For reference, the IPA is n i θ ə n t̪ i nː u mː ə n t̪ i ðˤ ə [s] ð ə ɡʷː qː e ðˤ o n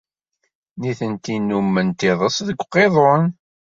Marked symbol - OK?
yes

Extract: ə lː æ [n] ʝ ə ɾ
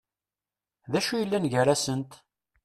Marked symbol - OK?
yes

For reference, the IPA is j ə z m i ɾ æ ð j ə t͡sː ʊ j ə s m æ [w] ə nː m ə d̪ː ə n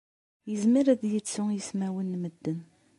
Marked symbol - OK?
yes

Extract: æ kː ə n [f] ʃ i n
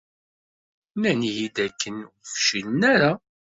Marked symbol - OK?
yes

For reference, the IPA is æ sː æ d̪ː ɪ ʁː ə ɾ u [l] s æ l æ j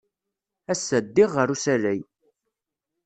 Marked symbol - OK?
no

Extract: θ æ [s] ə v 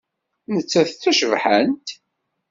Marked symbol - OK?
no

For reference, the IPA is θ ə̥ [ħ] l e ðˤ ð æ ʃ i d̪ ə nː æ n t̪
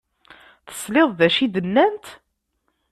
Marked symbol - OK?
no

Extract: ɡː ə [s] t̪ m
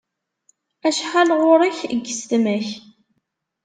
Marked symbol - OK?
yes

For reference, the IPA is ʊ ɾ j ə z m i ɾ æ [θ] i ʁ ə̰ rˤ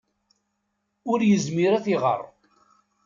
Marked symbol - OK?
yes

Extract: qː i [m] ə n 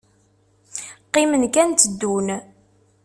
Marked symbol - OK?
yes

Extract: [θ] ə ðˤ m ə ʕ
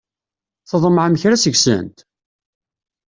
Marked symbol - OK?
yes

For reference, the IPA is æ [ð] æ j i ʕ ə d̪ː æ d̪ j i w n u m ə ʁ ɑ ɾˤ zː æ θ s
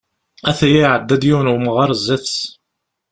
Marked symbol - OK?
no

